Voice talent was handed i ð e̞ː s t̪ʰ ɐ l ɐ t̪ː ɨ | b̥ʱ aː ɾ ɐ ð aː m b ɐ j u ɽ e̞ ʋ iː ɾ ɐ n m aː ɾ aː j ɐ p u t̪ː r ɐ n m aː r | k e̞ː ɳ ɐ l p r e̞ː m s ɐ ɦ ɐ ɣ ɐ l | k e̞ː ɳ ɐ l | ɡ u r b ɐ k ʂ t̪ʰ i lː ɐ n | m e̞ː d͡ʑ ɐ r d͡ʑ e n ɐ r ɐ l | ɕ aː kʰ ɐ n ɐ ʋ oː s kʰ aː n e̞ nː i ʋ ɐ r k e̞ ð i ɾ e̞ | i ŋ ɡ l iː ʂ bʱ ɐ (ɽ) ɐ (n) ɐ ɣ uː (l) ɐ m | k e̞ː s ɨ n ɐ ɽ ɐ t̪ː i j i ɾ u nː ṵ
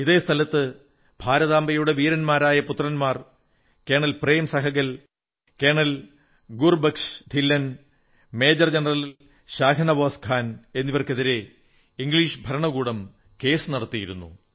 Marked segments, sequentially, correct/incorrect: incorrect: ɾ, incorrect: ɳ, incorrect: ɽ

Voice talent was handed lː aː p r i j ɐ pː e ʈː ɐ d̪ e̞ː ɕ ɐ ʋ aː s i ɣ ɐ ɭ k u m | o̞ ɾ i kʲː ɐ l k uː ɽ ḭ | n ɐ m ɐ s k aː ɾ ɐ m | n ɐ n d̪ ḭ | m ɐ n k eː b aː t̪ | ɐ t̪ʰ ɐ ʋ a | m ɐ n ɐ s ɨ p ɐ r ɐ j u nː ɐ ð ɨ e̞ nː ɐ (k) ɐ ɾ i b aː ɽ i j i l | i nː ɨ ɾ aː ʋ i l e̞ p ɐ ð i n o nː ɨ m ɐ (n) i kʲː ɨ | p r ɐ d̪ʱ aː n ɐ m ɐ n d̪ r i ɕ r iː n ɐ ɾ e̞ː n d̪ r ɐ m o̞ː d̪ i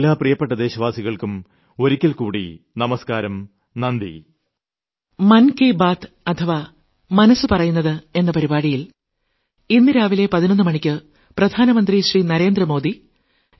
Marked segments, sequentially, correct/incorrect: incorrect: p, incorrect: ɳ

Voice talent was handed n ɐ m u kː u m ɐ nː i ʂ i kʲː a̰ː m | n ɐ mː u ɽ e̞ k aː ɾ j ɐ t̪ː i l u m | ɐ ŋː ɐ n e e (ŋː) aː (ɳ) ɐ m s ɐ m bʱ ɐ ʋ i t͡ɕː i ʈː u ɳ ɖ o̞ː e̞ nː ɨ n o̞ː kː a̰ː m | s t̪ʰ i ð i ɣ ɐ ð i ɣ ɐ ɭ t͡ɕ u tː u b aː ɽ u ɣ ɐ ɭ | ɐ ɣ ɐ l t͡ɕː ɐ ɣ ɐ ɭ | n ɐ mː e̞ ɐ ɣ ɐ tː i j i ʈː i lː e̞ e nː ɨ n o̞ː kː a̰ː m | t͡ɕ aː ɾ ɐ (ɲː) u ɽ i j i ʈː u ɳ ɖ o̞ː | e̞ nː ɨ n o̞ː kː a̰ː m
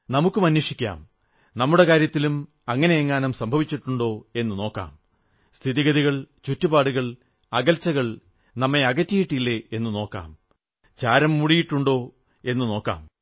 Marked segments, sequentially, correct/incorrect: correct, incorrect: n, incorrect: mː

